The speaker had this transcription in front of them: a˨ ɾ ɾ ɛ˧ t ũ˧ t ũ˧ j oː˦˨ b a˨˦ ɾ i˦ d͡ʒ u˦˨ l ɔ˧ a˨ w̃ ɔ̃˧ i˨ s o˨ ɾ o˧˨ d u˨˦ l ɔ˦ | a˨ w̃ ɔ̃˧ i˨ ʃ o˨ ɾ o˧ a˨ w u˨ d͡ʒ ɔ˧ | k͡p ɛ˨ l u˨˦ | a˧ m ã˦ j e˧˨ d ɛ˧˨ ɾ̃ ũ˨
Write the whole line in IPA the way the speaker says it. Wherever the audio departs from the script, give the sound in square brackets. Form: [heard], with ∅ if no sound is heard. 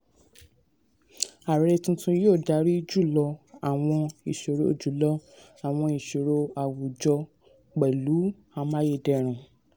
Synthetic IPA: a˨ ɾ ɾ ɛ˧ t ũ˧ t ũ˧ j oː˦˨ [d] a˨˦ ɾ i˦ d͡ʒ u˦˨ l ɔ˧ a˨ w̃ ɔ̃˧ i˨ [ʃ] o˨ ɾ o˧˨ [d͡ʒ] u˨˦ l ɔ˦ | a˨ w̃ ɔ̃˧ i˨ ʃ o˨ ɾ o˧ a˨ w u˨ d͡ʒ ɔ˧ | k͡p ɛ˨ l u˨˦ | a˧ m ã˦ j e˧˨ d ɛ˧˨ ɾ̃ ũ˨